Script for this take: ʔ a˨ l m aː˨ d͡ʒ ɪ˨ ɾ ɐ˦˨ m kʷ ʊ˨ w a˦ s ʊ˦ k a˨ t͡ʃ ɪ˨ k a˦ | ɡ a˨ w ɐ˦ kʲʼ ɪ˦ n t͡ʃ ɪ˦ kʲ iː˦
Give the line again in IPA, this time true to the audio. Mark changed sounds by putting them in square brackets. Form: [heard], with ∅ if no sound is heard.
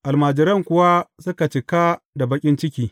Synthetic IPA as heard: ʔ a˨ l m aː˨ d͡ʒ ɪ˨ ɾ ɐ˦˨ [ŋ] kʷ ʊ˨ w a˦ s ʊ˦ k a˨ t͡ʃ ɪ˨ k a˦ | [d] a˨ [b] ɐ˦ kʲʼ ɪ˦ n t͡ʃ ɪ˦ kʲ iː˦